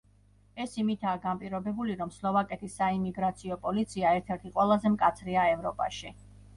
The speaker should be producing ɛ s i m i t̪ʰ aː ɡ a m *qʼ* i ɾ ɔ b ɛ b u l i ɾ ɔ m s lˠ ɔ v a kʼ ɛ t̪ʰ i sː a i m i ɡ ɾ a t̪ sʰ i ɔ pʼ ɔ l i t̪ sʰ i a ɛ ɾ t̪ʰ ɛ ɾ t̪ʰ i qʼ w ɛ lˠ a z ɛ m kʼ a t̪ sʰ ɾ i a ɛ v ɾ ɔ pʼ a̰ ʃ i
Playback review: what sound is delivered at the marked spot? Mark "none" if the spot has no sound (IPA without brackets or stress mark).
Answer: pʼ